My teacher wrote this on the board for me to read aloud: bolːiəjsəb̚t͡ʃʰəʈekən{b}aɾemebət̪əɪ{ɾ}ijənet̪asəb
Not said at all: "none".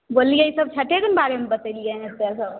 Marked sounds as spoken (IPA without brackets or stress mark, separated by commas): b, l